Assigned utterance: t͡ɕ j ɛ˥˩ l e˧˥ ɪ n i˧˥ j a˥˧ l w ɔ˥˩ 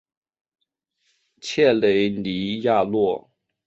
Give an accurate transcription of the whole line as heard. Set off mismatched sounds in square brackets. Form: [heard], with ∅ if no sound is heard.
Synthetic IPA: [t͡ɕʰ] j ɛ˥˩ l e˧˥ ɪ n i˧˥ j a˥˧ l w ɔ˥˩

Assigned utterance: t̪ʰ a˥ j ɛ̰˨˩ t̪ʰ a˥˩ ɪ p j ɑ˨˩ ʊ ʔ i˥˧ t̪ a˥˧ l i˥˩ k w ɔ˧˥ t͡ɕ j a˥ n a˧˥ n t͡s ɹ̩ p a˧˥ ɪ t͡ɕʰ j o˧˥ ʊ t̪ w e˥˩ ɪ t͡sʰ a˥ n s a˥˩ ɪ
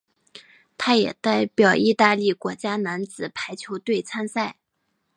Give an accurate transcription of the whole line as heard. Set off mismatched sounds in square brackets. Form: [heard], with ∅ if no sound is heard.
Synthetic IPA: t̪ʰ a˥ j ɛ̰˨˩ [t̪] a˥˩ ɪ p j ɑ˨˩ ʊ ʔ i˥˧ t̪ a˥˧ l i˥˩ k w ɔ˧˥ t͡ɕ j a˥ n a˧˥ n t͡s ɹ̩ [pʰ] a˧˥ ɪ t͡ɕʰ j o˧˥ ʊ t̪ w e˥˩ ɪ t͡sʰ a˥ n s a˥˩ ɪ

